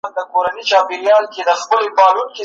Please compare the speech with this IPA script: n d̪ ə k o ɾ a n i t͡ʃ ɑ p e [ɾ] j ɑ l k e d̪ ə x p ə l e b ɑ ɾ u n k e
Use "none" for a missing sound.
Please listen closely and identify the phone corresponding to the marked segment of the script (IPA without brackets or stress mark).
ɾ